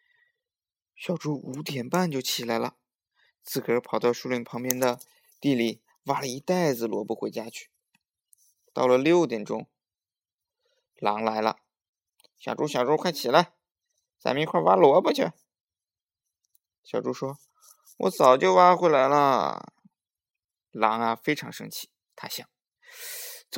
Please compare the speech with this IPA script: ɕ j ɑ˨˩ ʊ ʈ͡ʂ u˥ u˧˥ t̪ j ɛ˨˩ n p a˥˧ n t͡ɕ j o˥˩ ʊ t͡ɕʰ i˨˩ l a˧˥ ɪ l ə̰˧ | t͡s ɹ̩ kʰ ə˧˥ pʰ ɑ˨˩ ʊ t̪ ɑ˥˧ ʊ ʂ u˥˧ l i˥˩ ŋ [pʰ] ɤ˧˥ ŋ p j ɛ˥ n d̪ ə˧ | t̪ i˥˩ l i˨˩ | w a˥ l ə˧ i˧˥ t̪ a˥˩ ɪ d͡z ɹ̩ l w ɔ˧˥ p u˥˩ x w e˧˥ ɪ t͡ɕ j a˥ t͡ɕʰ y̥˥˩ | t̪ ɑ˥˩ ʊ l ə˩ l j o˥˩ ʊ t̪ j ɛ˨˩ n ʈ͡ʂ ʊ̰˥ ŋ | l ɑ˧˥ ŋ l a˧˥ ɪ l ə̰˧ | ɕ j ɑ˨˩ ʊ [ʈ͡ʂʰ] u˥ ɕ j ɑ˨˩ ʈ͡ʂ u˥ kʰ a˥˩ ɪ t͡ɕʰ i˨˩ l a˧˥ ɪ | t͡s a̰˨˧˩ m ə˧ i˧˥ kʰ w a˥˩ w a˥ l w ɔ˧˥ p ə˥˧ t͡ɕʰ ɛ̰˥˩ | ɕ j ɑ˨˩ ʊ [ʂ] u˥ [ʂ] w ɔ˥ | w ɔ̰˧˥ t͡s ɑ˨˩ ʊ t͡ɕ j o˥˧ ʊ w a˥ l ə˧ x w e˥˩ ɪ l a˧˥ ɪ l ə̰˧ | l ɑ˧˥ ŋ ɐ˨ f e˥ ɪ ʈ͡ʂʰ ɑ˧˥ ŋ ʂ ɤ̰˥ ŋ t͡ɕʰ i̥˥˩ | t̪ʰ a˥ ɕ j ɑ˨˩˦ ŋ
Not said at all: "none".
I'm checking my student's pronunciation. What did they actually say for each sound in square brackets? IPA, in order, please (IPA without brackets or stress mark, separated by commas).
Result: pʰ, ʈ͡ʂ, ʈ͡ʂ, ʂ